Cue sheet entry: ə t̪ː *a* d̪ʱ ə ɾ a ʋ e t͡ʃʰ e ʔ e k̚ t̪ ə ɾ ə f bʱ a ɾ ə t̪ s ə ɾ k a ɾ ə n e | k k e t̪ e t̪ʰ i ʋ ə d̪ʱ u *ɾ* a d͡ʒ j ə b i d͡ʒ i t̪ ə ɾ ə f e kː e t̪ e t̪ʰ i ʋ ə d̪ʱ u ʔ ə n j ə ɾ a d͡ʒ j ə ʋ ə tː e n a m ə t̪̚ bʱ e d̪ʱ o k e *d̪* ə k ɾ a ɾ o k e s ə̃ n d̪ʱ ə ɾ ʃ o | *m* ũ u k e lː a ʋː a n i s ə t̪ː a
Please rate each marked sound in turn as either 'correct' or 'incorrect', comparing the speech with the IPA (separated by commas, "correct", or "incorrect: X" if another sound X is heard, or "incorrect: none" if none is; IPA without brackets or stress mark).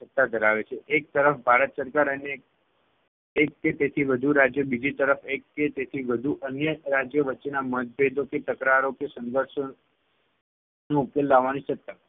correct, correct, incorrect: t̪, incorrect: n